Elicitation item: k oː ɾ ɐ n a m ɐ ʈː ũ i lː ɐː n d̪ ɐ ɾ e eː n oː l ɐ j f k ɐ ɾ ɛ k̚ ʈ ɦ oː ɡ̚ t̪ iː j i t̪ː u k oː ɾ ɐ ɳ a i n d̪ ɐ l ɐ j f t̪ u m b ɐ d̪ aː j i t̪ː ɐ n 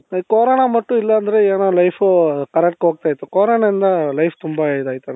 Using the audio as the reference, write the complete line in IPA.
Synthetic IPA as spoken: k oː ɾ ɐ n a m ɐ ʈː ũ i lː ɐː n d̪ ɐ ɾ e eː n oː l ɐ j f k ɐ ɾ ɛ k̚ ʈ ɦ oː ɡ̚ t̪ aː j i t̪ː u k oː ɾ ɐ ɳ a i n d̪ ɐ l ɐ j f t̪ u m b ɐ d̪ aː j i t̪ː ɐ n